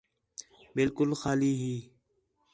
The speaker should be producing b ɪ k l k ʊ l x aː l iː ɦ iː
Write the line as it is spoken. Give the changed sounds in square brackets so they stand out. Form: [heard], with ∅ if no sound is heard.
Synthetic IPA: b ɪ [∅] l k ʊ l x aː l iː ɦ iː